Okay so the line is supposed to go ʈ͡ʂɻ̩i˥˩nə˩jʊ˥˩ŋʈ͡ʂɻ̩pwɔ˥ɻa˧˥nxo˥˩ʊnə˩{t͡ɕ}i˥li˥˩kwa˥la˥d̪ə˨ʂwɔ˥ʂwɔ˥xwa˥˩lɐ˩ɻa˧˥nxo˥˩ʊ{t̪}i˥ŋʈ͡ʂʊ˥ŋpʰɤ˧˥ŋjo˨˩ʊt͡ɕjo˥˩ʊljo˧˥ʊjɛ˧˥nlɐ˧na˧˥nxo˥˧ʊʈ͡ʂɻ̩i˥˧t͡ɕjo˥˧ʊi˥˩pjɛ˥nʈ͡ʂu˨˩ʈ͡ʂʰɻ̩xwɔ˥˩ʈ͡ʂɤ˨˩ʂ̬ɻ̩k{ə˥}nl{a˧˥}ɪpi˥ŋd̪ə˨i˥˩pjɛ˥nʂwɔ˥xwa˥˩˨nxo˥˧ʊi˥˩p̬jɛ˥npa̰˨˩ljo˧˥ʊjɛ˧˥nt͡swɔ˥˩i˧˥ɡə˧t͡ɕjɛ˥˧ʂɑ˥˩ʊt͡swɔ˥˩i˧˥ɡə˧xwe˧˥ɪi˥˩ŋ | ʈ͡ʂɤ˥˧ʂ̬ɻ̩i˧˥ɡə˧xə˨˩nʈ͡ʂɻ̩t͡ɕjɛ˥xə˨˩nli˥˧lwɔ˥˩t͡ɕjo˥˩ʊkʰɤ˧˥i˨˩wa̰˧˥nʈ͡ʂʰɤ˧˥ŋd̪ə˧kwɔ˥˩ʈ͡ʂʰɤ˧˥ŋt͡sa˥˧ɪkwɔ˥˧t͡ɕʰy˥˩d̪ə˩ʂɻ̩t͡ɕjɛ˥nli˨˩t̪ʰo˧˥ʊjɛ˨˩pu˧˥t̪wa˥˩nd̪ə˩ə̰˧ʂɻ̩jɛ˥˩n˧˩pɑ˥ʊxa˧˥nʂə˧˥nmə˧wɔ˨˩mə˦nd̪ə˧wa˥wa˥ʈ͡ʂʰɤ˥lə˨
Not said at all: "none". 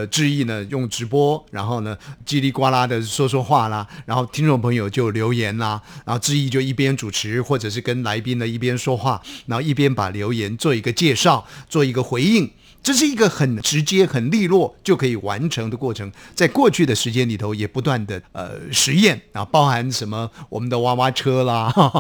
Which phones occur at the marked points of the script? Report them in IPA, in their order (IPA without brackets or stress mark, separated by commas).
t͡ɕ, t̪ʰ, ə˥, a˧˥